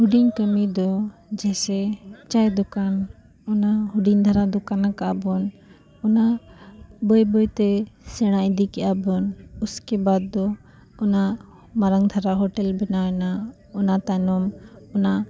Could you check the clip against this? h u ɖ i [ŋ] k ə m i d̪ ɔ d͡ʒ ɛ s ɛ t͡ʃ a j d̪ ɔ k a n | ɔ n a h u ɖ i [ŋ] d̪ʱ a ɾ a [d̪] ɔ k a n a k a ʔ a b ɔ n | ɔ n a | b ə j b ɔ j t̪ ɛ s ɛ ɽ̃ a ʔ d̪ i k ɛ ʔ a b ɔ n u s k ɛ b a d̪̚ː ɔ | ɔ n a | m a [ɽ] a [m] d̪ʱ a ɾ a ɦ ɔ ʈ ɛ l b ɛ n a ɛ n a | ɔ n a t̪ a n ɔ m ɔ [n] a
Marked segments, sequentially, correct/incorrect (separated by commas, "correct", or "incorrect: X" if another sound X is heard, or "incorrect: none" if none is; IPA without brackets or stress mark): incorrect: ɲ, incorrect: ɲ, correct, incorrect: ɾ, incorrect: ŋ, correct